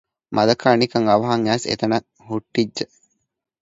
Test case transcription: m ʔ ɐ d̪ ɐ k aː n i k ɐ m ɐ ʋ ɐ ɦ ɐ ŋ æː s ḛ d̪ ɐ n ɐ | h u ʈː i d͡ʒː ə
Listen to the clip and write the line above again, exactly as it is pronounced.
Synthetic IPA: m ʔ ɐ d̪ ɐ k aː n i k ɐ ŋ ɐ ʋ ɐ ɦ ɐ ŋ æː s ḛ t̪ ɐ n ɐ | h u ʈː i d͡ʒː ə